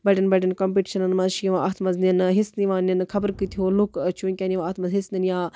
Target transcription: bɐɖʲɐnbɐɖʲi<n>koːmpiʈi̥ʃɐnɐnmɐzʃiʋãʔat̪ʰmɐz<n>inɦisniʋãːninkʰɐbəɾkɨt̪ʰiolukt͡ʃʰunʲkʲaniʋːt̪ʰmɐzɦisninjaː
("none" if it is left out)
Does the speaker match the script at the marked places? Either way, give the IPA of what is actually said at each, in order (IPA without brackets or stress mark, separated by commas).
n, n